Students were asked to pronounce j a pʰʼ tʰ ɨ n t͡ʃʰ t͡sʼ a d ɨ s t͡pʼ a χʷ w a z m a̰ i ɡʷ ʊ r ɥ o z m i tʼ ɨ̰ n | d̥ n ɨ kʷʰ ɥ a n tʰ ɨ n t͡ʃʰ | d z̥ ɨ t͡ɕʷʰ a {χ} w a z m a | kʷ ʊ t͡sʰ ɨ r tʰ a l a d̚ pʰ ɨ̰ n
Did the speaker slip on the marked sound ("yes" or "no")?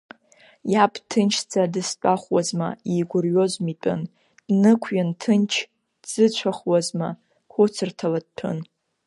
no